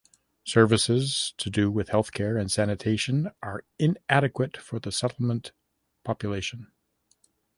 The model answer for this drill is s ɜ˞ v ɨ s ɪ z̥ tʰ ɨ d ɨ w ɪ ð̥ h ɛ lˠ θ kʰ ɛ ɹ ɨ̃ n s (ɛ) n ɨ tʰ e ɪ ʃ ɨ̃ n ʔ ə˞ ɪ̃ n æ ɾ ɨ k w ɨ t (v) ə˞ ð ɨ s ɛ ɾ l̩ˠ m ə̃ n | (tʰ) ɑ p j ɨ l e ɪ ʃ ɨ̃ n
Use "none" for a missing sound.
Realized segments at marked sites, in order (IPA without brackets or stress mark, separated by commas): æ, f, pʰ